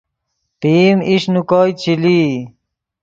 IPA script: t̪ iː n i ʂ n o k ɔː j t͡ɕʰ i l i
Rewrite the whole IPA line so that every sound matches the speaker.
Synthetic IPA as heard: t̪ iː m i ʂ n u k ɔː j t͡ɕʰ i l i